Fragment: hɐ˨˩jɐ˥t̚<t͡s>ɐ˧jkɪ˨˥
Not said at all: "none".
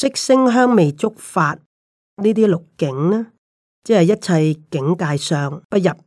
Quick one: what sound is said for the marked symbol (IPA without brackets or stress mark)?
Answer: t͡sʰ